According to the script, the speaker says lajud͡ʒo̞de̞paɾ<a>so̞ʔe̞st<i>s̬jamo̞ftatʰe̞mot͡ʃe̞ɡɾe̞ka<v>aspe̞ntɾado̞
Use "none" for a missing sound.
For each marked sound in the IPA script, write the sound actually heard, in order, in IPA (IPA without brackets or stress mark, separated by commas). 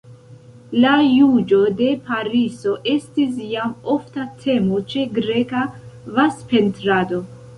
i, i, v